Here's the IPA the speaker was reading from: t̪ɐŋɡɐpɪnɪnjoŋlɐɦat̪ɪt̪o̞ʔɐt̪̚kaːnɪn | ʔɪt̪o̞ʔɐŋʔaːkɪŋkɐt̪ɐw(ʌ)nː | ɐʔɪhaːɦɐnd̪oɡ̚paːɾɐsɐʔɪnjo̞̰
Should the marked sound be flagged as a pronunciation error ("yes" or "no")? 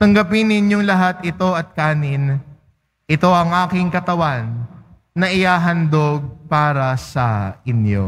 yes